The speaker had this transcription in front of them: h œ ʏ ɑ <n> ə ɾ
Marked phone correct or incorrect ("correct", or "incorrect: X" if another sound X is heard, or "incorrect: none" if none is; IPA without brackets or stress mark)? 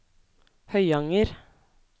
incorrect: ŋ